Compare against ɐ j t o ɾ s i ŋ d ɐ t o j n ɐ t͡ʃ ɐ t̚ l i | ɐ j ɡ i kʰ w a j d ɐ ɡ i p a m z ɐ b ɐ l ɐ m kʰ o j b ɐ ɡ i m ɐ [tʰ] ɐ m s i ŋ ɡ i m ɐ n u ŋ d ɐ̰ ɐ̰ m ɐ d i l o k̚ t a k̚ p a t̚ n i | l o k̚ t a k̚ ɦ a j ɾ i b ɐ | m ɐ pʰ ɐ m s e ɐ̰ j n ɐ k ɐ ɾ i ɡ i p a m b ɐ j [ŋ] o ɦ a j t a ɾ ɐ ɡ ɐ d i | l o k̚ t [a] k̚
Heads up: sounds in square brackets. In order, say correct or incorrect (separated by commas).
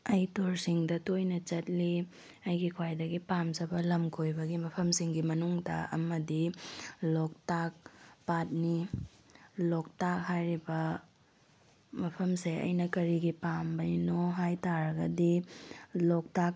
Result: incorrect, incorrect, correct